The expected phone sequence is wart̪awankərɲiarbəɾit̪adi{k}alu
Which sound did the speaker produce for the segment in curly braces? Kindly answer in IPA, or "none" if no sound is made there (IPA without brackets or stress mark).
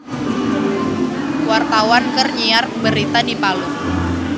p